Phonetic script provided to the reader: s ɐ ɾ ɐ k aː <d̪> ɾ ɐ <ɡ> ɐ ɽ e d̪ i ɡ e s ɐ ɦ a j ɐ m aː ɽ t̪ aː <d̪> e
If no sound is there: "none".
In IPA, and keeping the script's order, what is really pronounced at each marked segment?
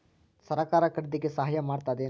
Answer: none, k, d̪

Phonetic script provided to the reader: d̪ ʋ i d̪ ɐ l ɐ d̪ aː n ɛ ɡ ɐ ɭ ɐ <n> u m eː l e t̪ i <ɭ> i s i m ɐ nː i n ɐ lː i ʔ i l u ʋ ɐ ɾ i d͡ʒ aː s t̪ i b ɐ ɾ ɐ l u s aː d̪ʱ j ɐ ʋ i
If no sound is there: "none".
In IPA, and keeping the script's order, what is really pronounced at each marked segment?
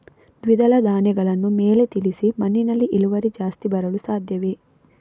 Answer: nː, l

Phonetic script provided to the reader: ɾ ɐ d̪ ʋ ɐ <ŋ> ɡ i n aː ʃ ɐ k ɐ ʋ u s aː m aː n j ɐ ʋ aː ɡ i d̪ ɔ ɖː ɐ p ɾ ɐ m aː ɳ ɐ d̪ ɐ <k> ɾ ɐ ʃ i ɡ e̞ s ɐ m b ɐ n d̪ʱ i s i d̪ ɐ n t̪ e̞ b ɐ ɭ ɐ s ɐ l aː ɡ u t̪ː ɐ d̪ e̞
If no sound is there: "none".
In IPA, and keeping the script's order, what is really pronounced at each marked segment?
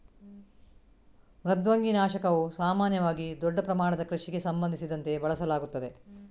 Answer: ŋ, k

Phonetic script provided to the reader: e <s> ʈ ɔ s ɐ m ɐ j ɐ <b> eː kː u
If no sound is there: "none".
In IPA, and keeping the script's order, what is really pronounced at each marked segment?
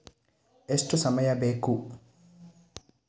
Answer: s, b

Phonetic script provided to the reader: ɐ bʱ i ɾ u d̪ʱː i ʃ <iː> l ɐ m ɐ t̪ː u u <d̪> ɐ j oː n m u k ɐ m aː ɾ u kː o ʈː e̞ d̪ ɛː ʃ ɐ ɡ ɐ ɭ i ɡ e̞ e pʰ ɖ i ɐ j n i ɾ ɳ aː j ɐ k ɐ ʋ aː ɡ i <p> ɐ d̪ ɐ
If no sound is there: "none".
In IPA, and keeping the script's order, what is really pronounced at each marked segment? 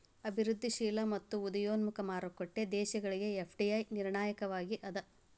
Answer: iː, d̪, ʔ

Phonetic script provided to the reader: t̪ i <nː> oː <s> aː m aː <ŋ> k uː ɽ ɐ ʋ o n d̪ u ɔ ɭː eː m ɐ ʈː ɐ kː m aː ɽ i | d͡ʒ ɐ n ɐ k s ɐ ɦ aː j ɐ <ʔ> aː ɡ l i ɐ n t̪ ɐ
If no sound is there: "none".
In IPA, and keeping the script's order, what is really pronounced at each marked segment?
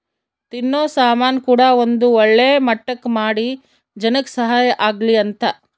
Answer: nː, s, n, ʔ

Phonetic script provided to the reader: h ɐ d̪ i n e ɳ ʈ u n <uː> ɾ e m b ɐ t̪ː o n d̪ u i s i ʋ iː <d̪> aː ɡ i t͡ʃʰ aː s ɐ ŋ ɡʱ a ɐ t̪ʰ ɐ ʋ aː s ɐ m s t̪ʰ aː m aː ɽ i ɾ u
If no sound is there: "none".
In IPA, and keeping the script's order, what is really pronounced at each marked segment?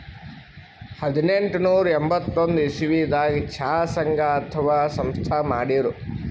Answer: uː, d̪

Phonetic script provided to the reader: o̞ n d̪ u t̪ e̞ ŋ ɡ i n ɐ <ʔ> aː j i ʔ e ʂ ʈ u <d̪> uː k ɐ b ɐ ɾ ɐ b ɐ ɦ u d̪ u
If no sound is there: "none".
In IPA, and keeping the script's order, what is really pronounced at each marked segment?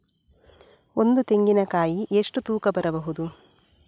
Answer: k, t̪

